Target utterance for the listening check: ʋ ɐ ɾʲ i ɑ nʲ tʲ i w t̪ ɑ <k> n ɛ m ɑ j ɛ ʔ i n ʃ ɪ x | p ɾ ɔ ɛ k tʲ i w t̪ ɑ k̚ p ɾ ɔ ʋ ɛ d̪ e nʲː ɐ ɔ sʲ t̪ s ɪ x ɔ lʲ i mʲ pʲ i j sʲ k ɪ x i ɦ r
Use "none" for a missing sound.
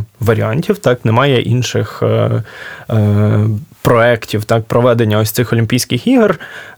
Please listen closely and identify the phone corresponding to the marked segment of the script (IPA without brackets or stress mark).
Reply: k